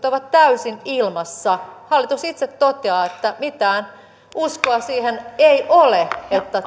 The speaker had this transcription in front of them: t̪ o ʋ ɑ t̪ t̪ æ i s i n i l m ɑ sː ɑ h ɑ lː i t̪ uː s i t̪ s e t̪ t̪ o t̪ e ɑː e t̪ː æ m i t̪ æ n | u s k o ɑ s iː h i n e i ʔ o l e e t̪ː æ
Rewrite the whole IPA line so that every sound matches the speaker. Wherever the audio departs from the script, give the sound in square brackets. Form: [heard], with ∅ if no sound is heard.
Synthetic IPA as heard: t̪ o ʋ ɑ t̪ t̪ æ [y] s i n i l m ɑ sː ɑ h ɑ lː i t̪ [u] s i t̪ s e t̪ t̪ o t̪ e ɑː e t̪ː æ m i t̪ [æː] n | u s k o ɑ s iː h [e] n e i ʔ o l e e t̪ː æ